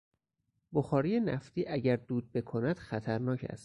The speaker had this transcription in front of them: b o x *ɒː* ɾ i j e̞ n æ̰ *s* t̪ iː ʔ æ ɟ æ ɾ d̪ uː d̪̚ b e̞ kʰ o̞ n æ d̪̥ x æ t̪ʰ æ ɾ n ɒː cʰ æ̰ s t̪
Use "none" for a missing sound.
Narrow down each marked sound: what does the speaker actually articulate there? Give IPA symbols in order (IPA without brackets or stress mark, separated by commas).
ɒː, f